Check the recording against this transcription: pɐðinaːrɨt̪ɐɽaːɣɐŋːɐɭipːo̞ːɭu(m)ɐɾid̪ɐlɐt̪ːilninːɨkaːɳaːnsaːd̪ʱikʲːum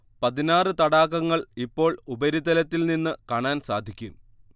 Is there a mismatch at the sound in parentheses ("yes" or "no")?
yes